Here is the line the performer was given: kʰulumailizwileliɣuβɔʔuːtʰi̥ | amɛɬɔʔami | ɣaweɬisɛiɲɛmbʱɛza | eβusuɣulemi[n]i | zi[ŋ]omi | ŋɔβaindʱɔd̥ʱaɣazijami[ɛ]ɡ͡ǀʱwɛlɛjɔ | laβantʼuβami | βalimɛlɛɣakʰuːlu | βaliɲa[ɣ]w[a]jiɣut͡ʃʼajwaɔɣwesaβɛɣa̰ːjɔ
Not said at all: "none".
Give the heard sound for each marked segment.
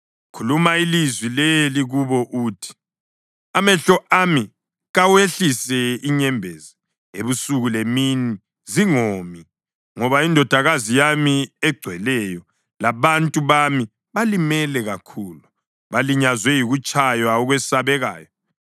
n, ŋ, ɛ, z, ɛ

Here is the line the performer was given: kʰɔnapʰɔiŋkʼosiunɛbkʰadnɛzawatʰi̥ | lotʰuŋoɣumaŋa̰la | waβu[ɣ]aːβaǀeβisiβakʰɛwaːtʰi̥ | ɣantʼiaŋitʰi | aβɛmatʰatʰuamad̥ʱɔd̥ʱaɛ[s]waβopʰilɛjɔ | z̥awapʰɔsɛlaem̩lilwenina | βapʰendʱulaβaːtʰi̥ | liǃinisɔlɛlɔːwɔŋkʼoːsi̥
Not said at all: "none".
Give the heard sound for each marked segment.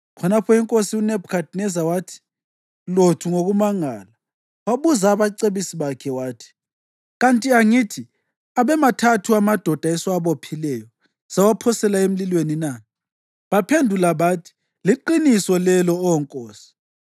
z, s

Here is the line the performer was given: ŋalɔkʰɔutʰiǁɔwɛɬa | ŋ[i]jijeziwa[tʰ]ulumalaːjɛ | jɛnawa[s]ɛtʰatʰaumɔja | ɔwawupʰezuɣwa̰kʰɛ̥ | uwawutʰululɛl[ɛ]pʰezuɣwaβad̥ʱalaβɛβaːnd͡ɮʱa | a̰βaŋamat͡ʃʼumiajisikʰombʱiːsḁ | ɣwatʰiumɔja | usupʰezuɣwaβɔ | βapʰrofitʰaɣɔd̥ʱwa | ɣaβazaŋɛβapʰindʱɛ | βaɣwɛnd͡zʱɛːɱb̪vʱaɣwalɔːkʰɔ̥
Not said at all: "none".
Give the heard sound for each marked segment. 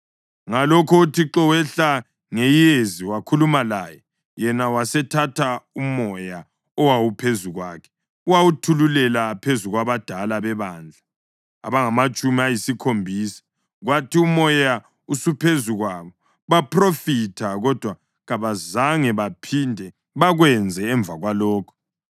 e, kʰ, s, a

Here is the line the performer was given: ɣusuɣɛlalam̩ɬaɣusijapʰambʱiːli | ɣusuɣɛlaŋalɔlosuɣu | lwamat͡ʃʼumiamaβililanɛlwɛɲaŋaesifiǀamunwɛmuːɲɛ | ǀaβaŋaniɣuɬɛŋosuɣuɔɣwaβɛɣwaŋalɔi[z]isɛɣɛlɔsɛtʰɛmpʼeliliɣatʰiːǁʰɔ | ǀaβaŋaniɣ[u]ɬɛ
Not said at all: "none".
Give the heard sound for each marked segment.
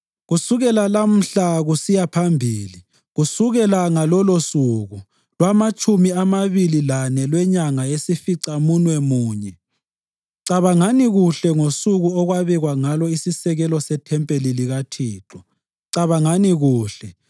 s, uː

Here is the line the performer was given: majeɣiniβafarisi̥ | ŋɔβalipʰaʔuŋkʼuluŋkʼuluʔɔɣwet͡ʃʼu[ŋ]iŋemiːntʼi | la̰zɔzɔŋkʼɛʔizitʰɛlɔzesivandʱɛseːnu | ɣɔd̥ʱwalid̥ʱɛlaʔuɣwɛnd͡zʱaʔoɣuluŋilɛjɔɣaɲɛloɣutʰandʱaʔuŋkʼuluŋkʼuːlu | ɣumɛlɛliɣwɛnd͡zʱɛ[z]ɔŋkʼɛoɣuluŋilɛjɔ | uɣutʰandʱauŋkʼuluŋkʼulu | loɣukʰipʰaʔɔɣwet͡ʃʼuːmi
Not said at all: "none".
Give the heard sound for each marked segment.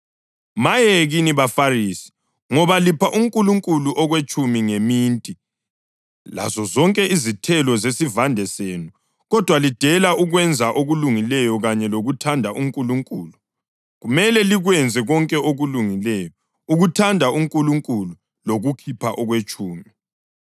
m, ɣ

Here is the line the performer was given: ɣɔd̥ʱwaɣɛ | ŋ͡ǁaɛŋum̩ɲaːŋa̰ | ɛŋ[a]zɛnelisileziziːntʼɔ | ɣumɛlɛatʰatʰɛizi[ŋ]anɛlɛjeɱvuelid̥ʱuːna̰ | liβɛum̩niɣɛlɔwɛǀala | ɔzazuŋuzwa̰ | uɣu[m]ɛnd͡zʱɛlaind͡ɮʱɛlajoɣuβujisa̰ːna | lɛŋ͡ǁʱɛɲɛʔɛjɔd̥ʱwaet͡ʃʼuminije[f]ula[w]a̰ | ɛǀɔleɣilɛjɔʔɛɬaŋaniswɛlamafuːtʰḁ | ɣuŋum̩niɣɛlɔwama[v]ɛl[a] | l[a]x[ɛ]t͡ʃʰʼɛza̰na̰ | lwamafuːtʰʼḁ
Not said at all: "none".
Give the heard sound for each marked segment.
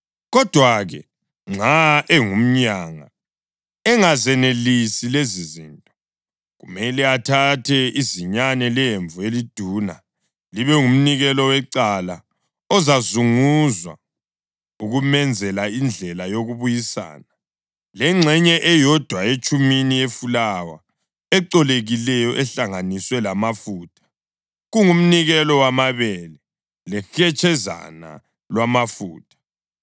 a, ɲ, m, f, w, β, ɛ, ɛ, ɛ

